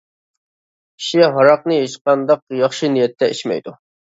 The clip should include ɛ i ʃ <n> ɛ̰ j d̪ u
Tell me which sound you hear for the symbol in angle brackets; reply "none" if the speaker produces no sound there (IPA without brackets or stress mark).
m